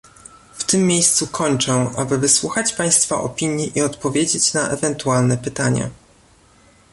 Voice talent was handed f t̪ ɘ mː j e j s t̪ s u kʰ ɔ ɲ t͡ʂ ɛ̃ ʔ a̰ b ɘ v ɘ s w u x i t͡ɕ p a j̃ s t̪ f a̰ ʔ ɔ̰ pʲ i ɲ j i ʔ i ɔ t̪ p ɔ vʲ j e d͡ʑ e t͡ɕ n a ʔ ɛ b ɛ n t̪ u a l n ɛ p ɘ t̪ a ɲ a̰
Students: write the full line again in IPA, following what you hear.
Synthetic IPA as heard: f t̪ ɘ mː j e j s t̪ s u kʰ ɔ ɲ t͡ʂ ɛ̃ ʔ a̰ b ɘ v ɘ s w u x a t͡ɕ p a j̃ s t̪ f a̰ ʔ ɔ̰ pʲ i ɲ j i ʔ i ɔ t̪ p ɔ vʲ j e d͡ʑ e t͡ɕ n a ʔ ɛ v ɛ n t̪ u a l n ɛ p ɘ t̪ a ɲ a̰